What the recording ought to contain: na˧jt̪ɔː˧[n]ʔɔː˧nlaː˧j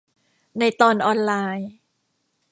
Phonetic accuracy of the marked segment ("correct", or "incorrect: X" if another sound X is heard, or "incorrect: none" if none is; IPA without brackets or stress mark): correct